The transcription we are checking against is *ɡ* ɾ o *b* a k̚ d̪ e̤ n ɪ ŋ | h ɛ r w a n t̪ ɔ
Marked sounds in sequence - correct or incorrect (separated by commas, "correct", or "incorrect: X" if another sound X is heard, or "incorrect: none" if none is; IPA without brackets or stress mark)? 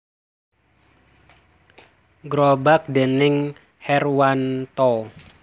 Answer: correct, correct